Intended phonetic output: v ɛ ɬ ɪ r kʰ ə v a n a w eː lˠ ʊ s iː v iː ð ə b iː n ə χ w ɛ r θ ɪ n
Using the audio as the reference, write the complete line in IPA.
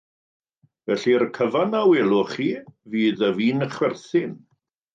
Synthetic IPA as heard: v ɛ ɬ i r kʰ ə v a n a w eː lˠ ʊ χ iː v iː ð ə v iː n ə χ w ɛ r θ ɪ n